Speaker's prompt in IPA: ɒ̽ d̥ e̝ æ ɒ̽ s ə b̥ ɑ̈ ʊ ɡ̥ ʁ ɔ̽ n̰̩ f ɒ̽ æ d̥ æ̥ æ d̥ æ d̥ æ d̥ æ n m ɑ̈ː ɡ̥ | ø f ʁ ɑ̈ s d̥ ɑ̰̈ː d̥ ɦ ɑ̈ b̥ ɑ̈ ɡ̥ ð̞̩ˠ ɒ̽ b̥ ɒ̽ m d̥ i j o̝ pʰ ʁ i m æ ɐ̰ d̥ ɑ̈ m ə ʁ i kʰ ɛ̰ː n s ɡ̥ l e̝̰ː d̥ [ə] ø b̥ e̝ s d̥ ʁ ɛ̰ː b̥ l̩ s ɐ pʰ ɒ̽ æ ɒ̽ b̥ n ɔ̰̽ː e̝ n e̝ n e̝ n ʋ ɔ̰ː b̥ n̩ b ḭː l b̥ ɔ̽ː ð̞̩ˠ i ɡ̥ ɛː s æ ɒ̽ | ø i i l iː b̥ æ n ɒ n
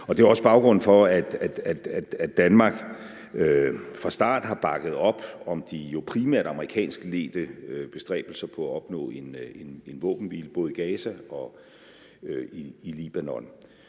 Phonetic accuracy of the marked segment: correct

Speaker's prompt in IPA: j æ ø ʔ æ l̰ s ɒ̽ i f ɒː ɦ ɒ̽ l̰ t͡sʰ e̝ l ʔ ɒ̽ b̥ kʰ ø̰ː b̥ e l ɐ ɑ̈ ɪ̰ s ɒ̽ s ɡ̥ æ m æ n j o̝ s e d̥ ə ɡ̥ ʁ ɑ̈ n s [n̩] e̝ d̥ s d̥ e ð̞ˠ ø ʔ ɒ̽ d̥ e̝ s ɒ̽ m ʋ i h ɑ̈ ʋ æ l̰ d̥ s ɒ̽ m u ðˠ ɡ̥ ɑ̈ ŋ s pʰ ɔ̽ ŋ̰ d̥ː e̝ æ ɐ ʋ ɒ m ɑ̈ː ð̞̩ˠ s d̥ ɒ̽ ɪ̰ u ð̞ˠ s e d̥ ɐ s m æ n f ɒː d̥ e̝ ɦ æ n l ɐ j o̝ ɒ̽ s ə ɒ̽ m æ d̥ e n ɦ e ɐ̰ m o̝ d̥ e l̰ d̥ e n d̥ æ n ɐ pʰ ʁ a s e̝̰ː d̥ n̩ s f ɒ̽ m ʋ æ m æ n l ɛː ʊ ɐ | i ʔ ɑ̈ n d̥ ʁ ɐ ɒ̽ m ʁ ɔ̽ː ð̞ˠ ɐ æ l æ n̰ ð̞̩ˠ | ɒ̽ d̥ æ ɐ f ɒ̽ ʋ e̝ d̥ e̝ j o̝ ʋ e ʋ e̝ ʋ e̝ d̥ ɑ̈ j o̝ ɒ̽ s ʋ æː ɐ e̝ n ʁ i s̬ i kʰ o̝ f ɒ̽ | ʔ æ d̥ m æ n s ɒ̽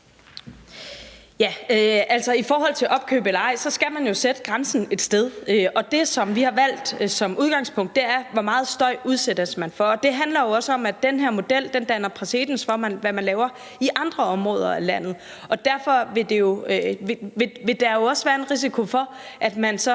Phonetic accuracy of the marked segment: correct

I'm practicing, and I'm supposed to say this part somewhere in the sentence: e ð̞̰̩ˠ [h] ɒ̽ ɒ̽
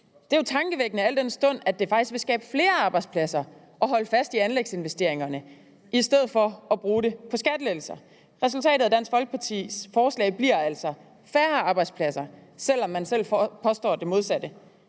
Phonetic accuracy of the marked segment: incorrect: f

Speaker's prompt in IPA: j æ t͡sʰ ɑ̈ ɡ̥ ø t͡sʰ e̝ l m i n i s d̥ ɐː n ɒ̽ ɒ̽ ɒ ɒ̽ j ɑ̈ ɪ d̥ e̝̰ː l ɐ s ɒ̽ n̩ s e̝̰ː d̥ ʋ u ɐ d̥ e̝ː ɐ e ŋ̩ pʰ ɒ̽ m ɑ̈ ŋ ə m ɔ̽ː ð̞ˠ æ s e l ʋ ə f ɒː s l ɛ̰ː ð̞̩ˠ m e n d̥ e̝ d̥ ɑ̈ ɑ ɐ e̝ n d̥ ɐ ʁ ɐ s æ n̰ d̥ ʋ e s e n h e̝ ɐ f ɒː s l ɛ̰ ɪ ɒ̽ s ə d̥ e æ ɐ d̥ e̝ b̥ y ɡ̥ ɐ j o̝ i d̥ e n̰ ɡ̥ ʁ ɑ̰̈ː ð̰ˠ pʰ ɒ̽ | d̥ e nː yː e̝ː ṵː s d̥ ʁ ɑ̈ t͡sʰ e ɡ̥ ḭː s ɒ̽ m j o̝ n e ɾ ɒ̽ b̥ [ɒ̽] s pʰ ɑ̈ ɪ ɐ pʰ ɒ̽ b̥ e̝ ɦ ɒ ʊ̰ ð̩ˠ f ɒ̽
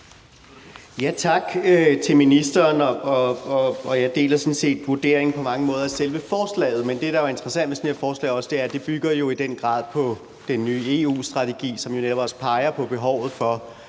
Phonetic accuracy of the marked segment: correct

